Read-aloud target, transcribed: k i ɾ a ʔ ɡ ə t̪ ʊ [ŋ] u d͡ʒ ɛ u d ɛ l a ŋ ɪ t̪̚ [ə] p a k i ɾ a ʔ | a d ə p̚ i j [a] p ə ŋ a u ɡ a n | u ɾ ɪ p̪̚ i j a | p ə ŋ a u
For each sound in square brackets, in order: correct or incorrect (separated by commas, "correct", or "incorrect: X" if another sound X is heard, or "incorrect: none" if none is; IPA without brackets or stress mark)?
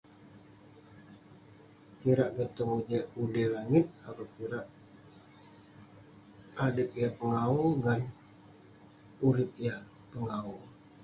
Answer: correct, incorrect: a, correct